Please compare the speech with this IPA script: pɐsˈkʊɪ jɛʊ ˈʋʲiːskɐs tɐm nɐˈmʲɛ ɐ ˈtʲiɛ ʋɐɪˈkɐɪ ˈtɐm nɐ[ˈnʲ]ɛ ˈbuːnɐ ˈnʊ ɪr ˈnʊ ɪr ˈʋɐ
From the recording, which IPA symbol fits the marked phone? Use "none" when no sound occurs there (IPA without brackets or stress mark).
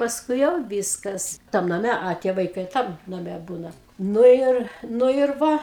mʲ